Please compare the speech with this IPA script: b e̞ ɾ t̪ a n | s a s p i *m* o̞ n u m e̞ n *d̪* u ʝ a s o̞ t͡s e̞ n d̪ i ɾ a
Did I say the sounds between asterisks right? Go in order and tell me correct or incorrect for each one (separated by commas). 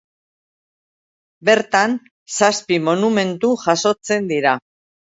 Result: correct, incorrect